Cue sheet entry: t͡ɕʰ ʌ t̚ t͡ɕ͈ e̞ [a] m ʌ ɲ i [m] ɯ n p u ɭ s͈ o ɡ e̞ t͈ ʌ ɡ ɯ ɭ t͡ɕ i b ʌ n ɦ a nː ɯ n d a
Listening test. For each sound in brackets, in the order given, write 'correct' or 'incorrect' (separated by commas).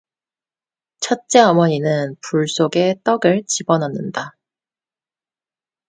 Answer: incorrect, incorrect